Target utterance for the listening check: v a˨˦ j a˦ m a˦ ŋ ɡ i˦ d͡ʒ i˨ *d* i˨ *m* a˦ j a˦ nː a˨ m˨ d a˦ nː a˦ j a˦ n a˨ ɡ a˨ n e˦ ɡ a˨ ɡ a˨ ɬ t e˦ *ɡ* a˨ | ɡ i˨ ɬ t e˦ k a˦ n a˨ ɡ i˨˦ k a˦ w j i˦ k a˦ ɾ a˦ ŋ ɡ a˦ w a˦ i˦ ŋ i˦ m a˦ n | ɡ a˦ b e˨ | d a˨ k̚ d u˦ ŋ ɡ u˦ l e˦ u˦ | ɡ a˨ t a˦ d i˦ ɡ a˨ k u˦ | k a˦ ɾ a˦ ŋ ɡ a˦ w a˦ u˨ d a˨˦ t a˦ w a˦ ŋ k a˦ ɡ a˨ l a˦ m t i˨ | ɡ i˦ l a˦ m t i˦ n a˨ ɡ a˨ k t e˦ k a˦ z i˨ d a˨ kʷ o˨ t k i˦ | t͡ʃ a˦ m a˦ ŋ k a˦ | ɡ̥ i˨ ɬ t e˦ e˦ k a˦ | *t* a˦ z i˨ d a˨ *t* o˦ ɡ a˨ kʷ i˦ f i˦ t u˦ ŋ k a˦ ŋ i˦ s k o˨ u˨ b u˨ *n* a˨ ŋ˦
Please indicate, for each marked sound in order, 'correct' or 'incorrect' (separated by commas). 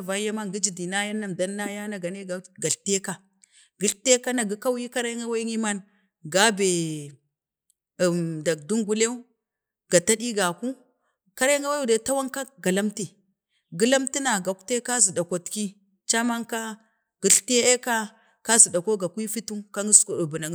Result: correct, incorrect, incorrect, incorrect, incorrect, correct